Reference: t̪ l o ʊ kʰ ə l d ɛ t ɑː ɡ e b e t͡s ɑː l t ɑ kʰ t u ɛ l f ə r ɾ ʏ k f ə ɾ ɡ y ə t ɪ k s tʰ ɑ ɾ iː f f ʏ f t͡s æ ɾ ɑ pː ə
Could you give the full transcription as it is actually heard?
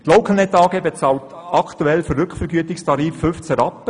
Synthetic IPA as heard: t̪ l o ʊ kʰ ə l n ɛ t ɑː ɡ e b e t͡s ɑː l t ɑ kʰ t u ɛ l f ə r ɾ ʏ k f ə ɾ ɡ y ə t ɪ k s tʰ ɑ ɾ iː f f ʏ f t͡s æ ɾ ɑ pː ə